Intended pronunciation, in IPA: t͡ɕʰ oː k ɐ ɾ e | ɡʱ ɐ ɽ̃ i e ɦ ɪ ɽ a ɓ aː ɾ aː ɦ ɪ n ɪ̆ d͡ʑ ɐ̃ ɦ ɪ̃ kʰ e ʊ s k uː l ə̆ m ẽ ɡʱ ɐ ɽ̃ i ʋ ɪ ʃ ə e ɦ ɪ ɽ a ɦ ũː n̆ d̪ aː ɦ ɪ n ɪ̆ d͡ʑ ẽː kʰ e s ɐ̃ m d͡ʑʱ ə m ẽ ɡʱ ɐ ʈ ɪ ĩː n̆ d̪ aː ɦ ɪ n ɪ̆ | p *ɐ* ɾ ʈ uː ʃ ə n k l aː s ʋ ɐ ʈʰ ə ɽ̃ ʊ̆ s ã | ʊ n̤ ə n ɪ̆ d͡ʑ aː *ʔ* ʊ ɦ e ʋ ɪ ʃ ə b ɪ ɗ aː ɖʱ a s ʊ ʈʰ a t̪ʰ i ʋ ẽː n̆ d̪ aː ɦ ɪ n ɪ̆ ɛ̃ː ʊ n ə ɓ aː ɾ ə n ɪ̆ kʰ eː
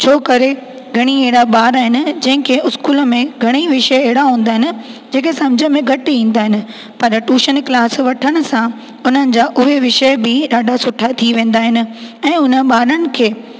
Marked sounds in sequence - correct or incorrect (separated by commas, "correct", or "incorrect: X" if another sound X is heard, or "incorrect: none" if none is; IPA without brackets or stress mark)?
correct, correct